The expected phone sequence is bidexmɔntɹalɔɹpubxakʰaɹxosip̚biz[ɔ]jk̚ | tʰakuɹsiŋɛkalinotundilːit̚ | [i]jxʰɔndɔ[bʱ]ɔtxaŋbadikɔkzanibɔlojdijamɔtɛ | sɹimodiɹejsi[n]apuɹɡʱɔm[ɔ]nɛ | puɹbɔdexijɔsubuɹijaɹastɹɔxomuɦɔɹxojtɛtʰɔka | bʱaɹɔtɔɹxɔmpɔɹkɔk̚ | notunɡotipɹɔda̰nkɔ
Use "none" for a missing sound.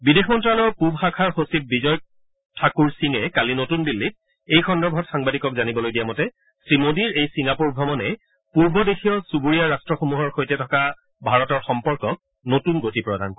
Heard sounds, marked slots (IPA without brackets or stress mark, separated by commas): ɔ, e, bʱ, ŋ, ɔ